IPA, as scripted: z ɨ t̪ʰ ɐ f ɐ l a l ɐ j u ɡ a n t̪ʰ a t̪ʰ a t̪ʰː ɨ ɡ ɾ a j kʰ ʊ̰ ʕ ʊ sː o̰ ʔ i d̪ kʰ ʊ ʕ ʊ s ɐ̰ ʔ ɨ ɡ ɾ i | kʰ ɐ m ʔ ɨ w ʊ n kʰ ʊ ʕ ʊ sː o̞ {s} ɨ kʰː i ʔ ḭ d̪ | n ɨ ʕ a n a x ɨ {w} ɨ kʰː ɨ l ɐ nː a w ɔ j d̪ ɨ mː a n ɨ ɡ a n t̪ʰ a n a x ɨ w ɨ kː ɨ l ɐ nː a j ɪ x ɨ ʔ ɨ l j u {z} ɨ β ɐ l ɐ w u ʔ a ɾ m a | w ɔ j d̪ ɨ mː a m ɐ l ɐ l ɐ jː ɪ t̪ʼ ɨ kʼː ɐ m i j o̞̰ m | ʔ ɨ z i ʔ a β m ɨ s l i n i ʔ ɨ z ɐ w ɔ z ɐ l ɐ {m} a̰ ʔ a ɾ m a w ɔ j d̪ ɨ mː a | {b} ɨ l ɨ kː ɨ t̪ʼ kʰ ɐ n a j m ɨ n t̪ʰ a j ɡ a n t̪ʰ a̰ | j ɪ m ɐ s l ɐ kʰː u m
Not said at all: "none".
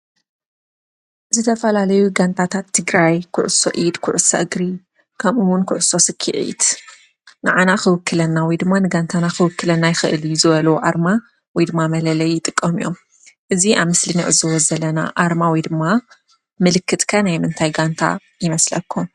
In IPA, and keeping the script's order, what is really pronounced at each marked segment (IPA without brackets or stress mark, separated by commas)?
s, w, z, n, m